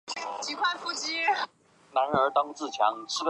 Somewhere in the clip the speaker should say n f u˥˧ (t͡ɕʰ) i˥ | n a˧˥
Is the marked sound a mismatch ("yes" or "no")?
yes